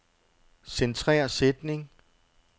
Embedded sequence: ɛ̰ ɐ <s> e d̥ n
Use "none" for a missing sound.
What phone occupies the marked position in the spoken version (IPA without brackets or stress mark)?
s